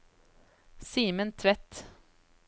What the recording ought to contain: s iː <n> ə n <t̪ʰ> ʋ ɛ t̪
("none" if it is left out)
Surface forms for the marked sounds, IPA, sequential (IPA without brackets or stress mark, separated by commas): m, t̪ʰ